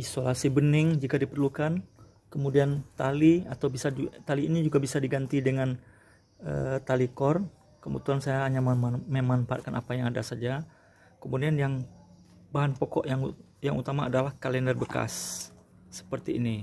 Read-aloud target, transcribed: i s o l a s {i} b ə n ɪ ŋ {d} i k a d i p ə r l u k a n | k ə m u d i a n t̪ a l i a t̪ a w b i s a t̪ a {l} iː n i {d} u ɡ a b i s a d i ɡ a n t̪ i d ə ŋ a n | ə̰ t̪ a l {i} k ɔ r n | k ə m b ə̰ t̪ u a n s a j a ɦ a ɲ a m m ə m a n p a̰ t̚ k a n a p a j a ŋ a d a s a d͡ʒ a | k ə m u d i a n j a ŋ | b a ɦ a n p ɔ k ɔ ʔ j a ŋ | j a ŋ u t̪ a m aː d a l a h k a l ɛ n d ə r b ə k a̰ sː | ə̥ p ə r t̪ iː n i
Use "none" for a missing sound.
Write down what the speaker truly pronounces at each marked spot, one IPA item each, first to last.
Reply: i, d͡ʒ, l, d͡ʒ, i

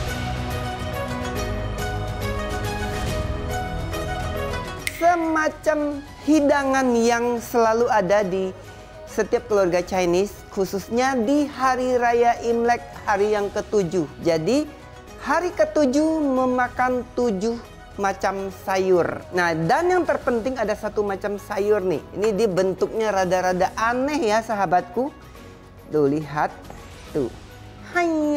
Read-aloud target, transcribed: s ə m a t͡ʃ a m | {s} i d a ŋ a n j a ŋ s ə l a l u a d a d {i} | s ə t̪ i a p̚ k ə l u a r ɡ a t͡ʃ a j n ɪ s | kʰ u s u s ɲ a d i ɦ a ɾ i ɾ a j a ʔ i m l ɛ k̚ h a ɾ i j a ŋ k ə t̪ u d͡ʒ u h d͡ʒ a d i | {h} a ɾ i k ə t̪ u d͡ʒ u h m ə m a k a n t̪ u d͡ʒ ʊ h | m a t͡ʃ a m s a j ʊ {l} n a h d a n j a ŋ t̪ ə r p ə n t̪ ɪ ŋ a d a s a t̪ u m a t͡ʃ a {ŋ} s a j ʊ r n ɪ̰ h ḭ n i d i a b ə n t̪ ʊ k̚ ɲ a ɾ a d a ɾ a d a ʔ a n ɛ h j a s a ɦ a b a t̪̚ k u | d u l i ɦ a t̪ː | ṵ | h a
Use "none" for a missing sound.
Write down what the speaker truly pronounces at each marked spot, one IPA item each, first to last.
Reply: h, i, h, r, m

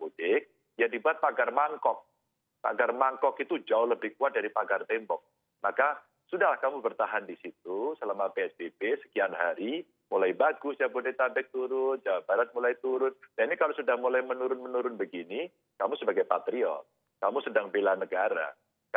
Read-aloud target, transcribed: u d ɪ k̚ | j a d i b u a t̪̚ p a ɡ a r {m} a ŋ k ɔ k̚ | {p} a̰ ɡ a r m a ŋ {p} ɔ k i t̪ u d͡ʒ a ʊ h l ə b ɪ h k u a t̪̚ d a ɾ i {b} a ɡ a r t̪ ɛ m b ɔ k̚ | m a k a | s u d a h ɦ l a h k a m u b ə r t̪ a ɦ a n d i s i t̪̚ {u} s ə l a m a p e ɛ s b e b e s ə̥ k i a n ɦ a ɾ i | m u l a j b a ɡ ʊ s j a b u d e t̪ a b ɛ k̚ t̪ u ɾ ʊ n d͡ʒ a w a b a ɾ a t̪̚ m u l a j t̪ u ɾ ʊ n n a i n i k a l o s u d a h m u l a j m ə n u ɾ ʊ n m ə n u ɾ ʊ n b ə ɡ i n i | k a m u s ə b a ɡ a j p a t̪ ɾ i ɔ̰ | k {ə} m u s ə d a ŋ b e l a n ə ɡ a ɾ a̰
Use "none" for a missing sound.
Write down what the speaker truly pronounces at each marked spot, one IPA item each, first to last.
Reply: m, p, k, p, u, a

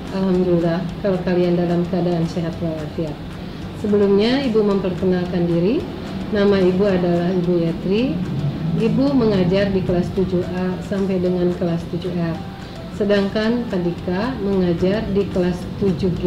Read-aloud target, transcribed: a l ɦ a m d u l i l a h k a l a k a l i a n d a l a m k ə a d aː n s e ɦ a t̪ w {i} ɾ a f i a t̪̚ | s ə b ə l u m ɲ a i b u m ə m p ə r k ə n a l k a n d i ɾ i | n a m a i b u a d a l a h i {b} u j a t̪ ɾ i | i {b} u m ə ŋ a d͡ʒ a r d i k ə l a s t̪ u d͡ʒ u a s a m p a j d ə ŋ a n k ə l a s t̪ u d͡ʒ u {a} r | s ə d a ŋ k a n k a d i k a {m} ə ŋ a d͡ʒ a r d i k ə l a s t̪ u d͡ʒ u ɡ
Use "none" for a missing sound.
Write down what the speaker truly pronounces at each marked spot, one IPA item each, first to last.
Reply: a, b, b, ɛ, m

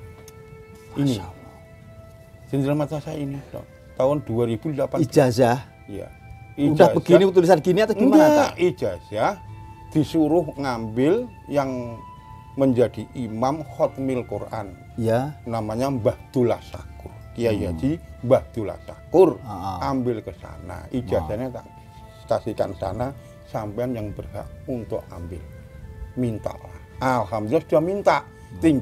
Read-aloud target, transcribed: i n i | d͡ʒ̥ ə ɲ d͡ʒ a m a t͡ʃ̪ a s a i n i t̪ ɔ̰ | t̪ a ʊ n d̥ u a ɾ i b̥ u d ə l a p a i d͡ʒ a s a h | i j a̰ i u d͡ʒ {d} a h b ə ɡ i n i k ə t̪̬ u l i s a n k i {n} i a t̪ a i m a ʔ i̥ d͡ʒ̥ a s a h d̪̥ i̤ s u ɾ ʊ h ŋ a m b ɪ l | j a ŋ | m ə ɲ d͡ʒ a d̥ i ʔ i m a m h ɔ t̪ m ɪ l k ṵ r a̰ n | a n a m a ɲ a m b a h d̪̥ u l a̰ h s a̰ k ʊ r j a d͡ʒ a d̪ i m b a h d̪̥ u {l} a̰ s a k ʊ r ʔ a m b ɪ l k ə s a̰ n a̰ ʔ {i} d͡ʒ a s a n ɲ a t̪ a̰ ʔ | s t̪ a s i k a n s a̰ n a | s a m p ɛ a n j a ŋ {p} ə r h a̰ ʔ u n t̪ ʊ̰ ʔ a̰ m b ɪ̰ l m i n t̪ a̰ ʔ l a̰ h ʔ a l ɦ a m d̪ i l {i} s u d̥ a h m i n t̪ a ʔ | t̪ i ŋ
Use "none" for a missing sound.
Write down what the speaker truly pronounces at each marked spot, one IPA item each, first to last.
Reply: d, n, l, i, b, a

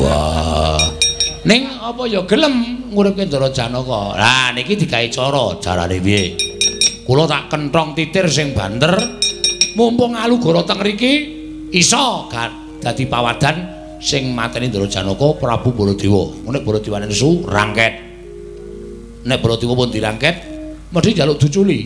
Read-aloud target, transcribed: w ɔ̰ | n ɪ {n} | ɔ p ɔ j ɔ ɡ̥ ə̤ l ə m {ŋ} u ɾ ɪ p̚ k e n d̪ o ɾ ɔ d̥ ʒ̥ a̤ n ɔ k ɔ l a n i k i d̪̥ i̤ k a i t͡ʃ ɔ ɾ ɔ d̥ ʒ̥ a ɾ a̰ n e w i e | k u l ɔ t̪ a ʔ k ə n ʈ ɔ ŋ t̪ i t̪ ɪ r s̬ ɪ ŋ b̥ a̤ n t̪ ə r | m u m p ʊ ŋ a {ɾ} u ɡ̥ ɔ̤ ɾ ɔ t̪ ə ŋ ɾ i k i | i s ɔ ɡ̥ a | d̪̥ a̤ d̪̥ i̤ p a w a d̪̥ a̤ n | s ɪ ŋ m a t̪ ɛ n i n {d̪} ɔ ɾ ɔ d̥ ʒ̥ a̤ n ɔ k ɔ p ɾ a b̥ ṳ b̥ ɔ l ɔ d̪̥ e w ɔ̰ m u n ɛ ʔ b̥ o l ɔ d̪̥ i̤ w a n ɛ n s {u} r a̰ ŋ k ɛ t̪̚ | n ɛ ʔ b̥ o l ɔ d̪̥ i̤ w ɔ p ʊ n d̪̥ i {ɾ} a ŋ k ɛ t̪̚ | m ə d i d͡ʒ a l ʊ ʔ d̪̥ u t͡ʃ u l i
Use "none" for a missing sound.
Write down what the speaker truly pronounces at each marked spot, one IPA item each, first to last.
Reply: ŋ, ŋ, l, d̪, u, ɾ

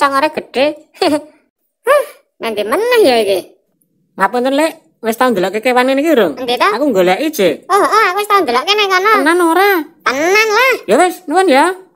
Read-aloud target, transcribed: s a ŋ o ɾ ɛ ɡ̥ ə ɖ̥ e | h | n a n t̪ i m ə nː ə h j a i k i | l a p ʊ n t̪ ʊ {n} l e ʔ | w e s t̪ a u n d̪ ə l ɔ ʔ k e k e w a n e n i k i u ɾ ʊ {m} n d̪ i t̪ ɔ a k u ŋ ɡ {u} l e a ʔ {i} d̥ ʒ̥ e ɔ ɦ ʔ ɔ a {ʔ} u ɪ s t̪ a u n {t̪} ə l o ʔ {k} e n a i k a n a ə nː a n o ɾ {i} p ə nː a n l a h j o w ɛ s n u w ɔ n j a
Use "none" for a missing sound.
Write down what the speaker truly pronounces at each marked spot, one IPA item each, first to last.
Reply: n, ŋ, o, i, k, d̪, k, a

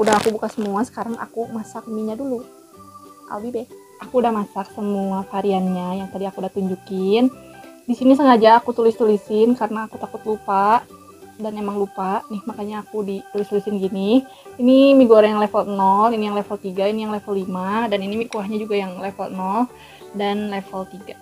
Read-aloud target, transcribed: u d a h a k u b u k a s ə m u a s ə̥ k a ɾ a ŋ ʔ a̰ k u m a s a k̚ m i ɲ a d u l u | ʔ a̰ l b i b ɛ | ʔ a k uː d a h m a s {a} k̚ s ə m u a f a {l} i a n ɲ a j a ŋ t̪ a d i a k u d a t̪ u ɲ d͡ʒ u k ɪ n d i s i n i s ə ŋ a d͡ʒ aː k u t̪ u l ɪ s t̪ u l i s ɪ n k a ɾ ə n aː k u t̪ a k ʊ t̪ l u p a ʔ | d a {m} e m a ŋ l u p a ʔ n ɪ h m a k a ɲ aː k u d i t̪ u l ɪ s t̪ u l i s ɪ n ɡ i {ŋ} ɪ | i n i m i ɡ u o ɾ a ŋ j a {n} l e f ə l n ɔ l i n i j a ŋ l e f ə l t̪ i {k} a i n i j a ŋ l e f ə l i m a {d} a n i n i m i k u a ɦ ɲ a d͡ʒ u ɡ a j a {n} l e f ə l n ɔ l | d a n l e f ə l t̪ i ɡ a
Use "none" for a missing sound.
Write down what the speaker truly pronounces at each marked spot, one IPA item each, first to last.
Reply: a, ɾ, n, n, ŋ, ɡ, d, ŋ

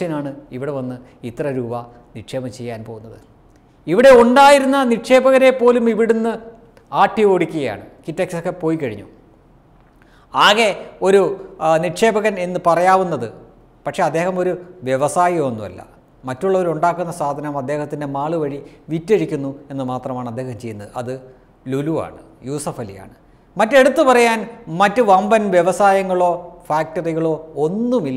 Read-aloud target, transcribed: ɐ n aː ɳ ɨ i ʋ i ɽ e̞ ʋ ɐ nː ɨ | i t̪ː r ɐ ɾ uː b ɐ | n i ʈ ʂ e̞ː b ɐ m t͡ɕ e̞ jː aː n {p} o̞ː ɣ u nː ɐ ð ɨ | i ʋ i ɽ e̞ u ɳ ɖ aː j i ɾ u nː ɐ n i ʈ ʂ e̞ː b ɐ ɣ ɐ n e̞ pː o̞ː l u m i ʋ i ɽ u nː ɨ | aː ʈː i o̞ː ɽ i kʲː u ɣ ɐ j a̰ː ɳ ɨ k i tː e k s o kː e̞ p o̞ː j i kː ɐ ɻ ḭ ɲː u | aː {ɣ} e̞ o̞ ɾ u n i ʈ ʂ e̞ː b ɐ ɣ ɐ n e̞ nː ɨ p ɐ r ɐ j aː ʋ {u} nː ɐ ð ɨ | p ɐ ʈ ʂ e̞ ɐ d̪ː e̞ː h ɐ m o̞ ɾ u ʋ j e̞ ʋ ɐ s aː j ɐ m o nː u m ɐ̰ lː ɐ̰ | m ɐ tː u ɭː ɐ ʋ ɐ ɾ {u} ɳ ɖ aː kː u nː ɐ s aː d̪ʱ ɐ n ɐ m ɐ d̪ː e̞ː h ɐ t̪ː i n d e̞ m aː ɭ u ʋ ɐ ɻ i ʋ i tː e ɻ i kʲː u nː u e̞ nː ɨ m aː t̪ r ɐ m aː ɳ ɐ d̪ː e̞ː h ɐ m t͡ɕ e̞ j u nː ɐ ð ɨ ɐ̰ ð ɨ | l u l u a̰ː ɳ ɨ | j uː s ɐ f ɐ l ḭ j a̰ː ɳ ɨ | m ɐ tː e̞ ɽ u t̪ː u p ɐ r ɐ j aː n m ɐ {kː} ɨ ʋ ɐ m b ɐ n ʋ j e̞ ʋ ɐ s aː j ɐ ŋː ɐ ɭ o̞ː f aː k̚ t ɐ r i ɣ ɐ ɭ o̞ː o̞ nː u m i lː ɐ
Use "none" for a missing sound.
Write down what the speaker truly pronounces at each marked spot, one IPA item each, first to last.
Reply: p, ɣ, u, u, tː

